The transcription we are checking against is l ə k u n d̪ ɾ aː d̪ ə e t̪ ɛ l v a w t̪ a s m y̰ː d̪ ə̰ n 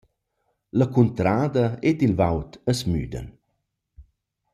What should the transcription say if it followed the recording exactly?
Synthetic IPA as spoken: l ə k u n t̪ ɾ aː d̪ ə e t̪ i l v a w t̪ ə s m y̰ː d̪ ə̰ n